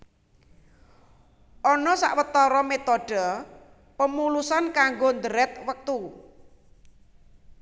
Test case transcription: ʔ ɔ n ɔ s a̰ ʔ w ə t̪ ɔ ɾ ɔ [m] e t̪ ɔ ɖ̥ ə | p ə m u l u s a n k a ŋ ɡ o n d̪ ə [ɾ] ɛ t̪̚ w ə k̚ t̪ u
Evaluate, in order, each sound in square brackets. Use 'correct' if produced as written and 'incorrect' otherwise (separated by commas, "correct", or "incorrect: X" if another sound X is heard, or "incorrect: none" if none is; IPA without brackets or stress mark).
correct, correct